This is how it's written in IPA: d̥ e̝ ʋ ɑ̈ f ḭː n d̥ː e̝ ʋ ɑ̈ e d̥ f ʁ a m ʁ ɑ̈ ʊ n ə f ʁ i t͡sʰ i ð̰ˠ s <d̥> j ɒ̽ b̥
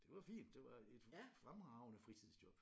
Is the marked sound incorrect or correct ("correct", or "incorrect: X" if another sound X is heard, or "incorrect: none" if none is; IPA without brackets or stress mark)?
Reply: correct